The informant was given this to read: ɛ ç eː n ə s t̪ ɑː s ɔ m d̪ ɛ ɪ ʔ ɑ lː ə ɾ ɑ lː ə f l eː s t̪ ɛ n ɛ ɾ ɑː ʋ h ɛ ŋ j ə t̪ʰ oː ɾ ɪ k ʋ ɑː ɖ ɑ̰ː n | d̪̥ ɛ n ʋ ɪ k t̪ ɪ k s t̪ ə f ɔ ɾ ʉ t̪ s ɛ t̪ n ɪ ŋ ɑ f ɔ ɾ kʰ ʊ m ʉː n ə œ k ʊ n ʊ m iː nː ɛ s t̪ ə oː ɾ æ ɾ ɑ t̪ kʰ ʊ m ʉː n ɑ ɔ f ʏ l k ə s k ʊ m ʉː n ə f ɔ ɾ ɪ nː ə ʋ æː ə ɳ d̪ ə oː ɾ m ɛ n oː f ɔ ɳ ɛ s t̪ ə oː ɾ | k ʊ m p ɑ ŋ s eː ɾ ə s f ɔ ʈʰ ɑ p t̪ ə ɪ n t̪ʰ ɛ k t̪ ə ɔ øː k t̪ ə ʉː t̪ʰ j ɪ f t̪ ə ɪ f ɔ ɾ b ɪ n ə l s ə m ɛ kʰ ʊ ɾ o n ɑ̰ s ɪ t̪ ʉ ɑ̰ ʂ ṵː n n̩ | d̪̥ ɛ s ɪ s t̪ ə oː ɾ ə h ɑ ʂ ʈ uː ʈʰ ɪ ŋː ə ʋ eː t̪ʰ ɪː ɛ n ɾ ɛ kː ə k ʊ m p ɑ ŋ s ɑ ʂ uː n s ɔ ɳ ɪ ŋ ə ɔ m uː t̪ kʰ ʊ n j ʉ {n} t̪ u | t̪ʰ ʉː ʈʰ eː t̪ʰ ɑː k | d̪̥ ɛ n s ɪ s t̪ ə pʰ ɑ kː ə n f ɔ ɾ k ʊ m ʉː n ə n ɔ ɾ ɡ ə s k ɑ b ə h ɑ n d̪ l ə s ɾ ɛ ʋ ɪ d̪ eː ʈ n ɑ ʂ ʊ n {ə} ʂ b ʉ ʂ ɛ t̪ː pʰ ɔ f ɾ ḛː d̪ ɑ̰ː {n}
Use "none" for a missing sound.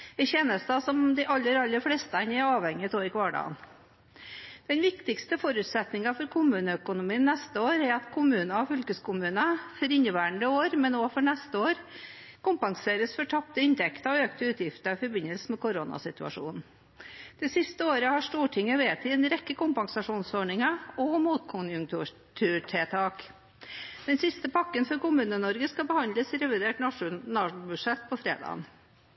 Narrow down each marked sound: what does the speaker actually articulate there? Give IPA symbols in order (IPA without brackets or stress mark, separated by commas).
ŋ, ɑ, n